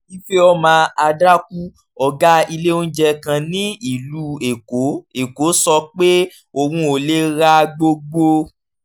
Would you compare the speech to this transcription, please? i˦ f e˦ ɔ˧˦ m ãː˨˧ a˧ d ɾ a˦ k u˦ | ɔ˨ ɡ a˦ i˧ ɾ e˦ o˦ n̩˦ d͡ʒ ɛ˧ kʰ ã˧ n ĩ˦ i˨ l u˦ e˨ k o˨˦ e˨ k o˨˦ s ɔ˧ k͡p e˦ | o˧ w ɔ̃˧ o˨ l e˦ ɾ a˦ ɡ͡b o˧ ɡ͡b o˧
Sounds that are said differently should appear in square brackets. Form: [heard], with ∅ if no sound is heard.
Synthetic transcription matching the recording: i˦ f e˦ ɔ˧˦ m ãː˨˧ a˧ d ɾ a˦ k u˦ | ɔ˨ ɡ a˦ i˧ [l] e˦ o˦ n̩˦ d͡ʒ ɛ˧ [k] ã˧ n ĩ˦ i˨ l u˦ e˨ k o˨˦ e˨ k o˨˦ s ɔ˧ k͡p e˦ | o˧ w [ũ˧] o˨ l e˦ ɾ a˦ ɡ͡b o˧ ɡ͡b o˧